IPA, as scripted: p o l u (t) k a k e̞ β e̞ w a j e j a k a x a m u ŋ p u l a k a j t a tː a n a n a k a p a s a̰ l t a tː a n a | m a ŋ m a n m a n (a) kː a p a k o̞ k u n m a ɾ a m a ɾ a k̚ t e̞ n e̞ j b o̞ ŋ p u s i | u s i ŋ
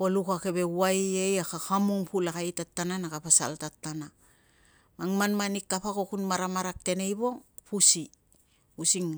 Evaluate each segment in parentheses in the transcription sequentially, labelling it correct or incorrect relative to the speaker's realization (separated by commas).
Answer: incorrect, incorrect